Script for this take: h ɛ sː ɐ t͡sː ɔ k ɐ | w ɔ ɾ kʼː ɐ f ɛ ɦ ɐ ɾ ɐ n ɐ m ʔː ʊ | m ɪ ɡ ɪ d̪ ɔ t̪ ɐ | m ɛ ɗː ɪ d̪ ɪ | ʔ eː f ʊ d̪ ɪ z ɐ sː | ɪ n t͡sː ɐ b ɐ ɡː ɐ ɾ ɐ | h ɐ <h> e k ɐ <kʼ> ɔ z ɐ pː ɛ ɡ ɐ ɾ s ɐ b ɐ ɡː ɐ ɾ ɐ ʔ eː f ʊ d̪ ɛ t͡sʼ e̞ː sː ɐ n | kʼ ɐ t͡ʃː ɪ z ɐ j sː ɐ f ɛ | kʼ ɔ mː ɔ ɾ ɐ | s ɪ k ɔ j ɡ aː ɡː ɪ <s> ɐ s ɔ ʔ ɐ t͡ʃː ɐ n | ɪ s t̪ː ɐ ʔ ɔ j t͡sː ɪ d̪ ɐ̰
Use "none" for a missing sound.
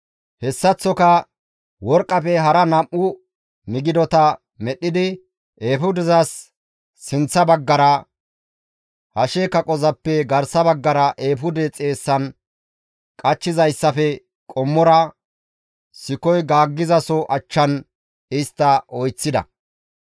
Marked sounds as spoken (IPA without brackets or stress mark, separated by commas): ʃ, kʼ, z